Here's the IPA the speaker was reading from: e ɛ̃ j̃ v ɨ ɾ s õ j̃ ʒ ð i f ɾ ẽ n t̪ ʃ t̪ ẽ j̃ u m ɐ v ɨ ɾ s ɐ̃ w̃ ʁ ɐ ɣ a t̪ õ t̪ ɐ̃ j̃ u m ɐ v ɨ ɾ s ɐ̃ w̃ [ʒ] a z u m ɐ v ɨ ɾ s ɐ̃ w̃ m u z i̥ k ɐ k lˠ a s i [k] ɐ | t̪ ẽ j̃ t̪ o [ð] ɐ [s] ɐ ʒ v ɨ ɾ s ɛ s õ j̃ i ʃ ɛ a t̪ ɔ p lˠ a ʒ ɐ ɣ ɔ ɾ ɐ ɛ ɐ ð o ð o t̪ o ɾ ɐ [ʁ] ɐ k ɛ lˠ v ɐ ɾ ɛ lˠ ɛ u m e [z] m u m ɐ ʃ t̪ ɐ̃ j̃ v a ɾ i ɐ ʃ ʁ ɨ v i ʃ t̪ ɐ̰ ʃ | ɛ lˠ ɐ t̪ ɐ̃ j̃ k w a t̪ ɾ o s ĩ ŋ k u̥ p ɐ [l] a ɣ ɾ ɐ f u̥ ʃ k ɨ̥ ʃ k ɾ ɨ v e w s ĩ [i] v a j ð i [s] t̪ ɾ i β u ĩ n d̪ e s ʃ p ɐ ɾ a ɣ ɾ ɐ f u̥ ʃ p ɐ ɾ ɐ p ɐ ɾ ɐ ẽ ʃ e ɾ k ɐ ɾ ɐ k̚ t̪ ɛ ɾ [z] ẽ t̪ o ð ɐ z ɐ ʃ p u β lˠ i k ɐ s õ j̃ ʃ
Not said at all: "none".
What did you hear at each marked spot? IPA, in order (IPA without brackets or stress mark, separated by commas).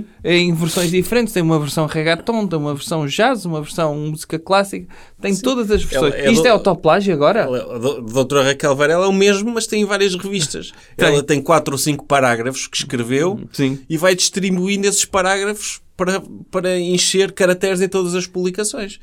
ʒ, k, ð, z, ʁ, ʒ, ɾ, i, ʃ, z